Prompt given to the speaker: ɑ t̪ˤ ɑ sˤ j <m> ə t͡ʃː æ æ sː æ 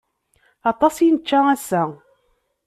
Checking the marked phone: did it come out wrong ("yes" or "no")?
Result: yes